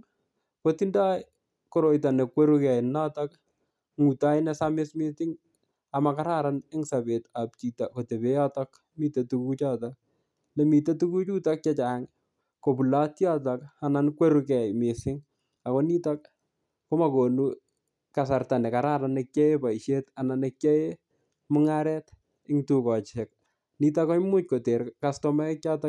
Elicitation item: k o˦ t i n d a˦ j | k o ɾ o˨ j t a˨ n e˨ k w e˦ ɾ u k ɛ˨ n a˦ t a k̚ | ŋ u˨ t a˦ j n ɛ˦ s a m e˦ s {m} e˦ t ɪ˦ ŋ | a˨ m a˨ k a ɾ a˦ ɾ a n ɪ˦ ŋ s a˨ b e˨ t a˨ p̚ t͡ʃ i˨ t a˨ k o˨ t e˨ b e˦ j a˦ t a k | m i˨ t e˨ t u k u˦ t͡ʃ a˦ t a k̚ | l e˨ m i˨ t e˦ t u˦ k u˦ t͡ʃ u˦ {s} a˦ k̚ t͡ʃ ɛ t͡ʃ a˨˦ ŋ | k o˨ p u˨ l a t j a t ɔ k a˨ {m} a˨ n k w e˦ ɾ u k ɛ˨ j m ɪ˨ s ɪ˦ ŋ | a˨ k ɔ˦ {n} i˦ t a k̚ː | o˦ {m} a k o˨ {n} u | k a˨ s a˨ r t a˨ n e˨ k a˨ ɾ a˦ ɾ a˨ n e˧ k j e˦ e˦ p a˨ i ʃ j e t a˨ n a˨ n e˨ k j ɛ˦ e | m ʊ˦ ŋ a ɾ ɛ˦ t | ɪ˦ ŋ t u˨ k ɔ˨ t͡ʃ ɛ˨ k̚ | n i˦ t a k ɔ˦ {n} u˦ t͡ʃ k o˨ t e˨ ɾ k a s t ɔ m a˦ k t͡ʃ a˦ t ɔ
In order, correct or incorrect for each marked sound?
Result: correct, incorrect, incorrect, correct, correct, correct, incorrect

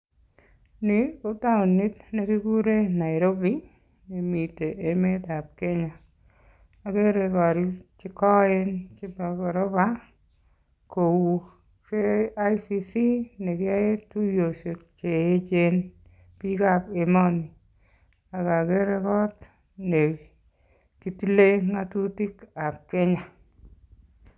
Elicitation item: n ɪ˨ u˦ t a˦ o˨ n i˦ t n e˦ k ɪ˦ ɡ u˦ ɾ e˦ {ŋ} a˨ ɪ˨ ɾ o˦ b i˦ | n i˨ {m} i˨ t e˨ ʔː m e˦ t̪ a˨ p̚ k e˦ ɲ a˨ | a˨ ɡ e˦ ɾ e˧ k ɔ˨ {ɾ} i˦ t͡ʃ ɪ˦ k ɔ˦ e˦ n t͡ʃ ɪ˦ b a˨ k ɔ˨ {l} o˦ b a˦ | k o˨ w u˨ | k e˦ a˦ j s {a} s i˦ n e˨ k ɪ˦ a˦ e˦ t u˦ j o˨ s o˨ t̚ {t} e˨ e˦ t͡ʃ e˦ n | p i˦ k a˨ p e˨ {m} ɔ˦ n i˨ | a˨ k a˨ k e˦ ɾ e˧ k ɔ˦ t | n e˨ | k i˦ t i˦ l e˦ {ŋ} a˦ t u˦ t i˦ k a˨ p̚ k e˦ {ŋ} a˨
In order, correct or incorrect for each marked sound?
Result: incorrect, correct, correct, incorrect, incorrect, incorrect, correct, correct, incorrect

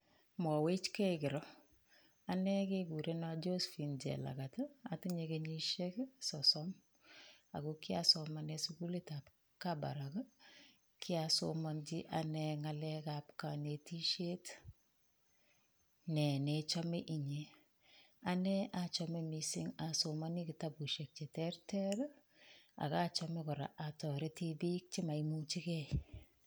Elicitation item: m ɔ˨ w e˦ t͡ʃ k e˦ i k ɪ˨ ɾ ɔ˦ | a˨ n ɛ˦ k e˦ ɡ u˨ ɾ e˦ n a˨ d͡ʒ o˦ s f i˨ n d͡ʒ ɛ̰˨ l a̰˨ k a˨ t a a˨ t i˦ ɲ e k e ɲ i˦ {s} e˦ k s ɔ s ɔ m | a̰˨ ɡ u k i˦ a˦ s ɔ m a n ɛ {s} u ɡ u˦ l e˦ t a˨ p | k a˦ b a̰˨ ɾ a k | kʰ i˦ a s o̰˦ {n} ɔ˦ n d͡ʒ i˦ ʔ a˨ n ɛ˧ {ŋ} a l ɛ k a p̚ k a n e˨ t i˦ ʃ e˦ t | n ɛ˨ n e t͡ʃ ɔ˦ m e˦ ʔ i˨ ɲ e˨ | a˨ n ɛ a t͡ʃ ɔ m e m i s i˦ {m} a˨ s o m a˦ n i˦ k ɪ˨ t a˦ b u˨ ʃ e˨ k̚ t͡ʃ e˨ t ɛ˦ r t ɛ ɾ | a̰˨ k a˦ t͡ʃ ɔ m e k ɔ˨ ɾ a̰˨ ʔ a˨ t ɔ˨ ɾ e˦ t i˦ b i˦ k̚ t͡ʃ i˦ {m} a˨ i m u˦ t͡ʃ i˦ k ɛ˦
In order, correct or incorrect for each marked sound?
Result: incorrect, correct, incorrect, correct, incorrect, correct

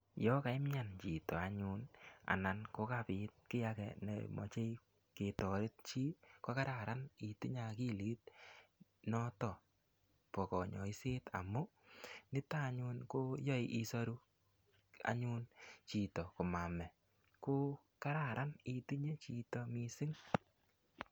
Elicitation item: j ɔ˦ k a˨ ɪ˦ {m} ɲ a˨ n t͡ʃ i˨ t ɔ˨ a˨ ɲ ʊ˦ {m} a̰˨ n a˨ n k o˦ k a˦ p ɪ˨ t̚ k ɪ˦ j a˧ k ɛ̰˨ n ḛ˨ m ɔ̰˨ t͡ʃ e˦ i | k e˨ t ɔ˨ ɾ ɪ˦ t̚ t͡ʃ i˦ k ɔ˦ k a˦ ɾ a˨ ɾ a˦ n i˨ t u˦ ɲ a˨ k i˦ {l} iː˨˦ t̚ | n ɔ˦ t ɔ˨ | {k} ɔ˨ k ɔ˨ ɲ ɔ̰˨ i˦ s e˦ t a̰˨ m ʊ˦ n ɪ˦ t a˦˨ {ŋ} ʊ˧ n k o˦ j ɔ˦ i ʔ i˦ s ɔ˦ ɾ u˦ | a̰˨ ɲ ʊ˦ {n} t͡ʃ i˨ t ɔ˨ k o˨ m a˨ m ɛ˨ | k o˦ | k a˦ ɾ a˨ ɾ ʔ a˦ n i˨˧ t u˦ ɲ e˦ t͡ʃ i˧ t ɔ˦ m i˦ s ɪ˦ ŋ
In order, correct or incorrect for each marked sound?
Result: correct, incorrect, correct, incorrect, incorrect, correct

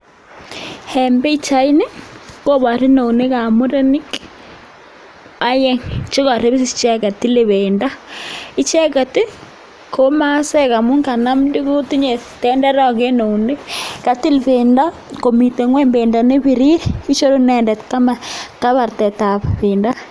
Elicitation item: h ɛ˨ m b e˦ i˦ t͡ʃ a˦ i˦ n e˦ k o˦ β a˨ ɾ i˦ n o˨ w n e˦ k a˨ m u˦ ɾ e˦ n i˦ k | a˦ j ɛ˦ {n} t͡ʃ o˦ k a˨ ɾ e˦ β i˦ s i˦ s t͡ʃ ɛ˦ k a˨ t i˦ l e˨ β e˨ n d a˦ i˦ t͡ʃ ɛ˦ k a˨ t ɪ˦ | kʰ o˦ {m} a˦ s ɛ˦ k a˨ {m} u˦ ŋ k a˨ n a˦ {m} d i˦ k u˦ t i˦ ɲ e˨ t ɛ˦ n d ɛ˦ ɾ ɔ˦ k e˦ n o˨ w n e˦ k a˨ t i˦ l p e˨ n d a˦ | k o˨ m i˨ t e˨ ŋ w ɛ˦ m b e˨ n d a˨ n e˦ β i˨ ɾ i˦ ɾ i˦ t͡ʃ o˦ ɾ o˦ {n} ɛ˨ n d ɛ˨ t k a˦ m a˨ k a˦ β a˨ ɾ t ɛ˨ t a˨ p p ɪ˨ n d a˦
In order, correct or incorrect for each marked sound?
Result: incorrect, correct, correct, correct, correct

